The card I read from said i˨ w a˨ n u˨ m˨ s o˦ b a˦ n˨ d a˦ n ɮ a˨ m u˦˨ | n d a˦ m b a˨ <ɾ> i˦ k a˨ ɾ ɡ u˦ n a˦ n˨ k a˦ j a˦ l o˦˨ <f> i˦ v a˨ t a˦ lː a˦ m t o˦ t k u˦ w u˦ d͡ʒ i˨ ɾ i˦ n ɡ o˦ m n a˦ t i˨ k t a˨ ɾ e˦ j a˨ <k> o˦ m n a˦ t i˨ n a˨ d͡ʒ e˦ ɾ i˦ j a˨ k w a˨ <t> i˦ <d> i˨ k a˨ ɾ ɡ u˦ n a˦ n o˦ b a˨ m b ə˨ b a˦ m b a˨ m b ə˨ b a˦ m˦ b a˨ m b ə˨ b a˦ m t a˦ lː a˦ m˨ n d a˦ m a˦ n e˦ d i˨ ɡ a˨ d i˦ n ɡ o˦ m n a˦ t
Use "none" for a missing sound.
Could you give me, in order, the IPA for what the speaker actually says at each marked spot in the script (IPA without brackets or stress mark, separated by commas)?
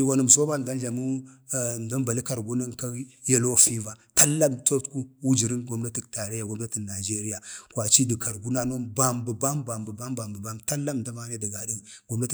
l, f, ɡ, t͡ʃ, d